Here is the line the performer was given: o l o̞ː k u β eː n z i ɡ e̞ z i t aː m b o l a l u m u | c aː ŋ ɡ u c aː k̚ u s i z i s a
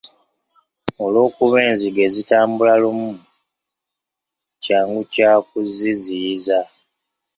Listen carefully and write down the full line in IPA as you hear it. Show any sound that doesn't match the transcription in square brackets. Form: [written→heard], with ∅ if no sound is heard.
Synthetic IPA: o l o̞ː k u β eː n z i ɡ e̞ z i t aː m b [o→u] l a l u m u | c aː ŋ ɡ u c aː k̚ u [s→z] i z i [s→z] a